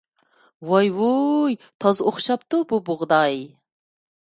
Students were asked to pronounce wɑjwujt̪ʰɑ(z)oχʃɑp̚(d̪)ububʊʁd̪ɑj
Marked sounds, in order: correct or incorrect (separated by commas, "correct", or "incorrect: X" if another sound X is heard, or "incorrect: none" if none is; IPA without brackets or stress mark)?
correct, incorrect: t̪